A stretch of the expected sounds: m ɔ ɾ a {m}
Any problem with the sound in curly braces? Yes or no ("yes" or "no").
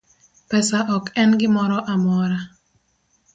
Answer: yes